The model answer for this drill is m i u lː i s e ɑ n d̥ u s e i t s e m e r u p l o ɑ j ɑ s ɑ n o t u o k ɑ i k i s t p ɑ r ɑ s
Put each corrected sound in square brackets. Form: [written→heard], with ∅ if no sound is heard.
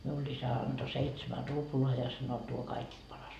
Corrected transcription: m i u lː i s [e→æ] ɑ n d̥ [u→o] s e i t s e m [e→æ] r u p l o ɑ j ɑ s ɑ n o t u o k ɑ i k i s t p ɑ r ɑ s

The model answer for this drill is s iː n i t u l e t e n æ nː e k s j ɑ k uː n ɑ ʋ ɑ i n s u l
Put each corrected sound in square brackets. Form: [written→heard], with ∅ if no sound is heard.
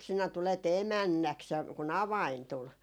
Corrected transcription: s [iː→i] n [i→æ] t u l e t e [n→m] æ nː [e→æ] k s j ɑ k [uː→u] n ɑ ʋ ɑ i n [s→t] u l

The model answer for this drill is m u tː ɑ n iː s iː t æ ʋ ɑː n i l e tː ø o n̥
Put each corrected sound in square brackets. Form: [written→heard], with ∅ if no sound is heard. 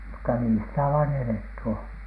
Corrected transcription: m u tː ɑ n iː s [iː→i] t æ ʋ ɑː n [i→e] l e tː [ø→y] o n̥

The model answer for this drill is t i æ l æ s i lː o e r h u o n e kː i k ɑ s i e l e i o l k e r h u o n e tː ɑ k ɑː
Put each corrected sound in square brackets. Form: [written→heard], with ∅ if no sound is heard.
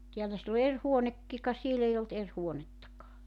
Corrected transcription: t i æ l æ s i lː o e r h u o n e kː i k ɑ s i e l e i o l [k→t] e r h u o n e tː ɑ k ɑː

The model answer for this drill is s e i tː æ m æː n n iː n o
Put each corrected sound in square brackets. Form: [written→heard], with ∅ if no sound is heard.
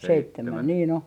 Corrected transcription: s e i tː [æ→e] m [æː→æ] n n iː n o

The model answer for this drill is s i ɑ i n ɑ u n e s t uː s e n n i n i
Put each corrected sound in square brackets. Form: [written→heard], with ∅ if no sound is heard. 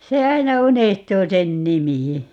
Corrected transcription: s [i→e] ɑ i n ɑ u n e [s→h] t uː s e n n i [n→m] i

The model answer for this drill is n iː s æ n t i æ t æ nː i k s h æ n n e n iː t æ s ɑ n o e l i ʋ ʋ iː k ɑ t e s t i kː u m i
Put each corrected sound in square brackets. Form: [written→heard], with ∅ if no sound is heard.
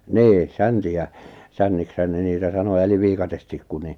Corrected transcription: n iː s æ n t i æ [t→s] æ nː i k s h æ n n e n iː t æ s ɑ n o e l i ʋ ʋ iː k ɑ t e s t i kː u [m→n] i

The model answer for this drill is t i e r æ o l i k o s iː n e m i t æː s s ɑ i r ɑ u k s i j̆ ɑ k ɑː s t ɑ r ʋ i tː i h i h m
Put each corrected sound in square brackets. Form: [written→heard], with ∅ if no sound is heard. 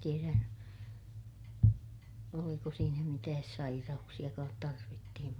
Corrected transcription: t i e r æ o l i k o s iː n [e→æ] m i t æː s s ɑ i r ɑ u k s i j̆ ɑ k ɑː [s→t] t ɑ r ʋ i tː i h i [h→∅] m

